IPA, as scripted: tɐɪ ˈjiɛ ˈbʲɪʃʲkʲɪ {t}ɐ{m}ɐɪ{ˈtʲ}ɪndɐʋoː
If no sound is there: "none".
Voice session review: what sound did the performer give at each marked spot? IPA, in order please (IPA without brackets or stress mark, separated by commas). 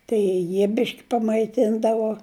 p, m, tʲ